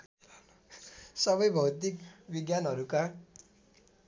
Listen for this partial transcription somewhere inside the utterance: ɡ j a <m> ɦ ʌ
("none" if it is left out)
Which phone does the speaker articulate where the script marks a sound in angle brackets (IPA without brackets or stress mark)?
n